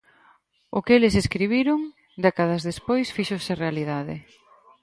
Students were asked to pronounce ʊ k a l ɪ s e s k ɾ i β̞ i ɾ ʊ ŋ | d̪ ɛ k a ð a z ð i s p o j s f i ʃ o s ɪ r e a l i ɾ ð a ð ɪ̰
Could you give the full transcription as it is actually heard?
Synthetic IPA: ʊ k e l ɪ s e s k ɾ i β̞ i ɾ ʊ ŋ | d̪ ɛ k a ð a z ð e s p o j s f i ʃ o s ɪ r e a l i ð a ð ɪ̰